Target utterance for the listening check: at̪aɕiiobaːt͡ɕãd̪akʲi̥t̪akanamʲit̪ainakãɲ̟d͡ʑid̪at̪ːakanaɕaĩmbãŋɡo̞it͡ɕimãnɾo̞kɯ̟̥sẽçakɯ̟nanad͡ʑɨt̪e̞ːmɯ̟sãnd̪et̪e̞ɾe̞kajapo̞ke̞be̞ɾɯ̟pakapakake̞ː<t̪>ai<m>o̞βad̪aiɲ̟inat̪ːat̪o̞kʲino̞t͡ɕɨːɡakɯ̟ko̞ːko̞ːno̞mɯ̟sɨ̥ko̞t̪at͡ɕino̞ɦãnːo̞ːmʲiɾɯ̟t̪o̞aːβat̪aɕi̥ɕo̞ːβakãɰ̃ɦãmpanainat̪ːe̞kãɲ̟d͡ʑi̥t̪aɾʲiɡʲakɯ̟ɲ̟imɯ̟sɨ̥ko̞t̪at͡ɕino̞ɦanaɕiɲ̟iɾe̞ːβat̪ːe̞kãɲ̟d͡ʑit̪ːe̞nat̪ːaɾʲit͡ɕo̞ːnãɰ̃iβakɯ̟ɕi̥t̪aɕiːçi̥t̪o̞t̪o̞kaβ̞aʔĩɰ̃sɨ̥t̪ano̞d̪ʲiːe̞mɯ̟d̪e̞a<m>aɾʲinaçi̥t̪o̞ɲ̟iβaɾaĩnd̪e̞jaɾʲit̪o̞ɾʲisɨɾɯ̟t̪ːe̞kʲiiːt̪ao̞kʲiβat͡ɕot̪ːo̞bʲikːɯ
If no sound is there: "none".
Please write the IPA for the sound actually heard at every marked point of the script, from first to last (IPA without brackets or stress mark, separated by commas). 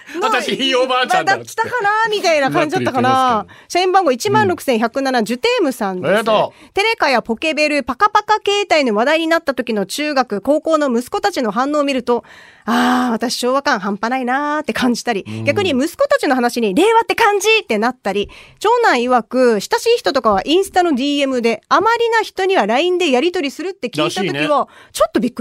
t̪, n, m